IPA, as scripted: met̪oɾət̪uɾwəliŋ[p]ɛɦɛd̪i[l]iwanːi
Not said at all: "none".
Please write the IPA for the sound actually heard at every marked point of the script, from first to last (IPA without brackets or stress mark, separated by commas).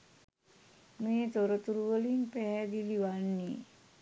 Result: p, l